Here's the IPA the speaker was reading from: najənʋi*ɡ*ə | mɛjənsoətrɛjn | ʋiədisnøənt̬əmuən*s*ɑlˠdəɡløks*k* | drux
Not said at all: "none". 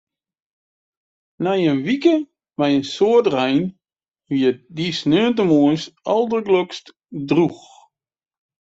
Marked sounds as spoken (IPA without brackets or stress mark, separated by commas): k, s, t